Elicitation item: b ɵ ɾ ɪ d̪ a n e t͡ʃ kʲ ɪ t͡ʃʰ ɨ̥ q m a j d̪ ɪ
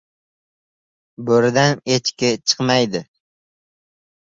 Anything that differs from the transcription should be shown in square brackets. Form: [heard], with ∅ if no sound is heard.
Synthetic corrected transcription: b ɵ ɾ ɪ d̪ a n e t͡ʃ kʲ ɪ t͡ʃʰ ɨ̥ q m a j d̪ ɪ